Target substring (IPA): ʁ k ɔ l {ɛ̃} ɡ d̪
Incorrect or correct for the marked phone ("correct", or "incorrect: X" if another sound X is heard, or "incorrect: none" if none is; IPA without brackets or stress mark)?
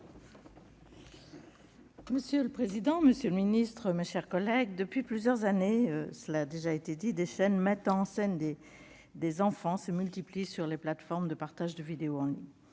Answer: incorrect: ɛ